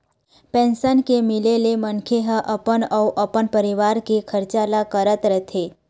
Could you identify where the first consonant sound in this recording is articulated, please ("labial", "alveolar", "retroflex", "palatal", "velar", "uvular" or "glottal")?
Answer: labial